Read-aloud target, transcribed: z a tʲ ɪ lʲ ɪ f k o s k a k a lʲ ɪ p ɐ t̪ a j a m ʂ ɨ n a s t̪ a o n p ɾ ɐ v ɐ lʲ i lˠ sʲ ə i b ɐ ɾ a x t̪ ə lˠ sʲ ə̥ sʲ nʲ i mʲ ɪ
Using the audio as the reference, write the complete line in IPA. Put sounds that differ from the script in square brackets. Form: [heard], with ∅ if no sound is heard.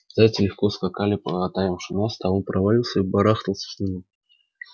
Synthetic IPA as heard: z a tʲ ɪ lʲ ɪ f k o s k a k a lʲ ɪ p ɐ t̪ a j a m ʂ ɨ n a s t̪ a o n p ɾ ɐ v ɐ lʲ i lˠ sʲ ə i b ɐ ɾ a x t̪ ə lˠ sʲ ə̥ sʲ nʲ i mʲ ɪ